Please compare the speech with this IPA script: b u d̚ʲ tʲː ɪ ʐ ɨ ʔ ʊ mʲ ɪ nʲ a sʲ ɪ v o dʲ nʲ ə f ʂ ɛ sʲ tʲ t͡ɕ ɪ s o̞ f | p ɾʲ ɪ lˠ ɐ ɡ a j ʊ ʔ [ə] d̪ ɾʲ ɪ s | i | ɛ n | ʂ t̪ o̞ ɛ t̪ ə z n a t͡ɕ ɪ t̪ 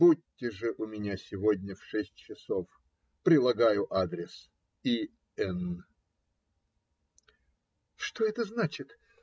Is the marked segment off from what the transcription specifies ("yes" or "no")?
yes